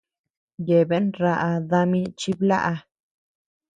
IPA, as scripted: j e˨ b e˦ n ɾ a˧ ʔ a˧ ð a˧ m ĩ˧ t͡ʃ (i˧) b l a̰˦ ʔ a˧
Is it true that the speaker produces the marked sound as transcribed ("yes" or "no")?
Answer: yes